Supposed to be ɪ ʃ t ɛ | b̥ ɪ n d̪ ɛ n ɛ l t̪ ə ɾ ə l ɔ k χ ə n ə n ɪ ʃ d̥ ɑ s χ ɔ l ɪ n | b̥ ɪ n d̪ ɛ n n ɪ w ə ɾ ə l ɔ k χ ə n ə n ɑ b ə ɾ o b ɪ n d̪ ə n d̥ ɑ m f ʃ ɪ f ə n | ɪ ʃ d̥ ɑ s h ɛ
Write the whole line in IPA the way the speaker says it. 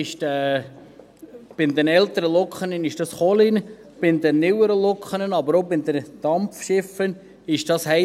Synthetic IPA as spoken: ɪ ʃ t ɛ | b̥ ɪ n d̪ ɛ n ɛ l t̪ ə ɾ ə l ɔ k χ ə n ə n ɪ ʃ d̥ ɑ s χ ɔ l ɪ n | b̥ ɪ n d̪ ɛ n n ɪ w ə ɾ ə l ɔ k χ ə n ə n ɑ b ə ɾ o b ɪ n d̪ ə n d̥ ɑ m f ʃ ɪ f ə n | ɪ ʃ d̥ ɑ s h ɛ